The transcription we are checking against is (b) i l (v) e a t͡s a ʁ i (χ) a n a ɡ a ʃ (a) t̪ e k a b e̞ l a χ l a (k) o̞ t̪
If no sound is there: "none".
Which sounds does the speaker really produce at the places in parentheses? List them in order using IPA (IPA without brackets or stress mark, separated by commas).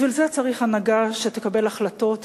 v, z, χ, e, t